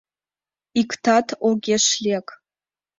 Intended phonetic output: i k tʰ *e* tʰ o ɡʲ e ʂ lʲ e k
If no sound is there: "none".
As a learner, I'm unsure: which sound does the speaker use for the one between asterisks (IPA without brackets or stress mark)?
a